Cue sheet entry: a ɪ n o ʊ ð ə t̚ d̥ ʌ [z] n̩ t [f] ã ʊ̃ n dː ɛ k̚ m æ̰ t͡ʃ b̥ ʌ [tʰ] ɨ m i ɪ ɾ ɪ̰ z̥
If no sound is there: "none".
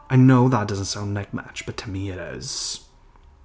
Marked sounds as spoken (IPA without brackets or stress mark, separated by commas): z, s, tʰ